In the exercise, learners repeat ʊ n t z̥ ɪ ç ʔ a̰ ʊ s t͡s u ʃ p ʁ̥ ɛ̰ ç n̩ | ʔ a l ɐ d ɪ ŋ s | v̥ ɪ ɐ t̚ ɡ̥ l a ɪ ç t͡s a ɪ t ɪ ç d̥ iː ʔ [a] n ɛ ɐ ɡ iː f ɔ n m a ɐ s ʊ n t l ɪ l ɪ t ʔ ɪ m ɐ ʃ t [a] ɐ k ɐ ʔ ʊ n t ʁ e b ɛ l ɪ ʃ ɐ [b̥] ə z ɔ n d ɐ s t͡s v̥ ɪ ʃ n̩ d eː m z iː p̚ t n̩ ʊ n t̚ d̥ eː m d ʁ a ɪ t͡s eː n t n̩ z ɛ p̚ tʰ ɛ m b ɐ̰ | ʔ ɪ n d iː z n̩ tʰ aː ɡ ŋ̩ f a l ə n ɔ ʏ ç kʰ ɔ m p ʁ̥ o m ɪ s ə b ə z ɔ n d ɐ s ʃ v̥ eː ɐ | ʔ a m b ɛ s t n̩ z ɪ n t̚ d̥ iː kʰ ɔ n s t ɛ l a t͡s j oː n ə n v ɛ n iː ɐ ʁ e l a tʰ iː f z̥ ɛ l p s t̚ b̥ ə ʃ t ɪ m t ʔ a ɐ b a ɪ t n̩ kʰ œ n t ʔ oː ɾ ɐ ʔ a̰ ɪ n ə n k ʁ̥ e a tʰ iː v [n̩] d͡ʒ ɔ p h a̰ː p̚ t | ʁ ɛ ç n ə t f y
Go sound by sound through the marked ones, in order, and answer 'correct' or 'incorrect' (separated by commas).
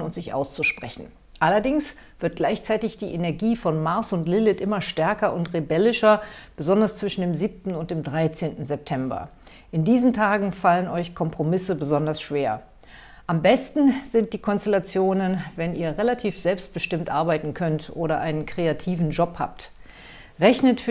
incorrect, incorrect, correct, correct